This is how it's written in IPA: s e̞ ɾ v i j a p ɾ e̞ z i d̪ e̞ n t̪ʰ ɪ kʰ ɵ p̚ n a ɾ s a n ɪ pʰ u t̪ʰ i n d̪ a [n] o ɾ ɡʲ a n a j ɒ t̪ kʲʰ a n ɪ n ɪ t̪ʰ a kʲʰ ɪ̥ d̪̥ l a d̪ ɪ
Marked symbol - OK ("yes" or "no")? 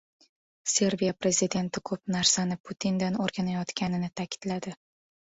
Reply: yes